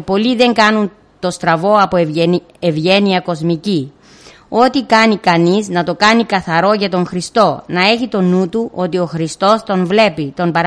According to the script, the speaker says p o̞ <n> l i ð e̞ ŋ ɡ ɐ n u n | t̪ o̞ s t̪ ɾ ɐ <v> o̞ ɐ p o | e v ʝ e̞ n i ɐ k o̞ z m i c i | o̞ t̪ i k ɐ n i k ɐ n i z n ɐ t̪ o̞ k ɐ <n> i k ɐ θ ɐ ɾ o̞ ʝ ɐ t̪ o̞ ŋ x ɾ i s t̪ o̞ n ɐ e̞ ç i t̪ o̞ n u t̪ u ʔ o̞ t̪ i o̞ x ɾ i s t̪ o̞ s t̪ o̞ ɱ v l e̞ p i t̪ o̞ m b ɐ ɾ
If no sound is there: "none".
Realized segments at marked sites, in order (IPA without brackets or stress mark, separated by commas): none, v, n